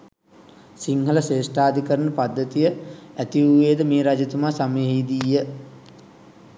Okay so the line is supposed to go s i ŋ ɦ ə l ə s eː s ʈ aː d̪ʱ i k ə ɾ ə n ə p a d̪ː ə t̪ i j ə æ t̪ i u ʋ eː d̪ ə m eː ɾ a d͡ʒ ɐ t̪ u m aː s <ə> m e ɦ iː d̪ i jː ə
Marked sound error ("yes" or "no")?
yes